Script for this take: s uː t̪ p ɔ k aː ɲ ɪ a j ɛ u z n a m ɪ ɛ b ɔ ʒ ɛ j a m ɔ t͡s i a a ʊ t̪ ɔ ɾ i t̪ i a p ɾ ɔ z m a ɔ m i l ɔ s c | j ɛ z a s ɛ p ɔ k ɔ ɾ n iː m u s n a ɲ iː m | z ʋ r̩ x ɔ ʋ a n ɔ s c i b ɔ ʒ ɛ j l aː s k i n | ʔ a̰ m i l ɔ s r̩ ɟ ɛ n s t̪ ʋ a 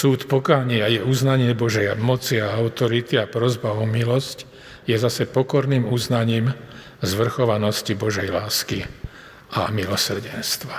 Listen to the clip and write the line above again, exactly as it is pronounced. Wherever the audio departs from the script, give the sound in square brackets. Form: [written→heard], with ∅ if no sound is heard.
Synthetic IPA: s uː t̪ p ɔ k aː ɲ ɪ a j ɛ u z n a [m→ɲ] ɪ ɛ b ɔ ʒ ɛ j a m ɔ t͡s i a a ʊ t̪ ɔ ɾ i t̪ i a p ɾ ɔ z [m→b] a ɔ m i l ɔ s c | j ɛ z a s ɛ p ɔ k ɔ ɾ n iː m u [s→z] n a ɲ iː m | z ʋ r̩ x ɔ ʋ a n ɔ s c i b ɔ ʒ ɛ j l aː s k i [n→∅] | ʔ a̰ m i l ɔ s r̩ ɟ ɛ n s t̪ ʋ a